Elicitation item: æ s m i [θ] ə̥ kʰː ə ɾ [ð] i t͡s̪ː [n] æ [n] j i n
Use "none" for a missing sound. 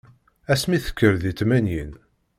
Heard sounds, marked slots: θ, ð, m, n

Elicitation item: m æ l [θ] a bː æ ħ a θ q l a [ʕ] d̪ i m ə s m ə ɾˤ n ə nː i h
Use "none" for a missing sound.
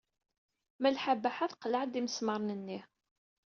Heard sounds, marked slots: ħ, ʕ

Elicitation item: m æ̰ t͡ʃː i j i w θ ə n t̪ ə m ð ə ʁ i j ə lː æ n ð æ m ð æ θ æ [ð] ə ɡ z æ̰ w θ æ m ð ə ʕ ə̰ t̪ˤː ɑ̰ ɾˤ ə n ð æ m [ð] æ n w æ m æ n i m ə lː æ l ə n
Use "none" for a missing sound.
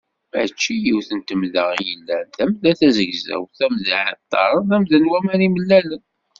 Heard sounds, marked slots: z, ð

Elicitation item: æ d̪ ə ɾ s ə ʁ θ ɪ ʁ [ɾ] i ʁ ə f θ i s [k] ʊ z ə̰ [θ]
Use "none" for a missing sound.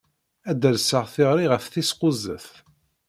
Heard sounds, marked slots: ɾ, q, θ

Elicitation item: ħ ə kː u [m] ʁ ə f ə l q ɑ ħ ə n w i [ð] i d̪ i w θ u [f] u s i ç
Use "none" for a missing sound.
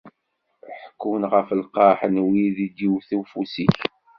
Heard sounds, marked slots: n, ð, f

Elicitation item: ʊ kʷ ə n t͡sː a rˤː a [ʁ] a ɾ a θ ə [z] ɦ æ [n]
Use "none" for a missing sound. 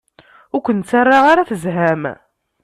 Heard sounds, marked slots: ʁ, z, m

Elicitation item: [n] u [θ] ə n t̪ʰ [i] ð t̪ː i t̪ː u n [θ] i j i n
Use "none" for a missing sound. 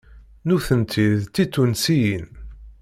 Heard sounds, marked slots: n, θ, i, s

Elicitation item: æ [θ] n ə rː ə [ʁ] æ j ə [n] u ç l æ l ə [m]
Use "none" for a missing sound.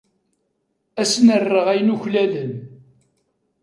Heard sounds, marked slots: s, ʁ, n, n

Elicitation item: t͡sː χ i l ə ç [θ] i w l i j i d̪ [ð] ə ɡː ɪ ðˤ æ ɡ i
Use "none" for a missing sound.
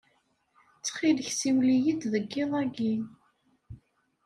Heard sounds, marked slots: s, ð

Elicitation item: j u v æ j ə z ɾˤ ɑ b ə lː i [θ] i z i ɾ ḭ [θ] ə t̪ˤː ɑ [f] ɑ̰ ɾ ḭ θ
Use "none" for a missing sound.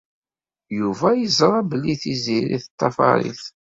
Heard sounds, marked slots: θ, θ, f

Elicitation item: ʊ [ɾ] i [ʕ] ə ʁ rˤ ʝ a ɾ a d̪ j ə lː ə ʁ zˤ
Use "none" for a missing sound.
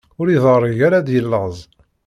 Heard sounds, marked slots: ɾ, ð

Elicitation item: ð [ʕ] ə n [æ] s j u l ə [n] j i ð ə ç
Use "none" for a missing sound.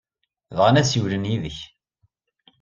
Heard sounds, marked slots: ʁ, æ, n

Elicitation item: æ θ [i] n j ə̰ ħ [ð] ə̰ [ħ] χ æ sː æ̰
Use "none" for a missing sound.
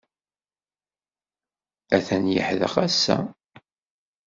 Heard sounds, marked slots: æ, ð, none

